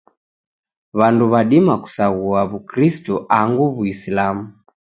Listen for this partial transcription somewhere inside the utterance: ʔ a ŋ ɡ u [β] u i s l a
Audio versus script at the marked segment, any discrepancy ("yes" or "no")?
no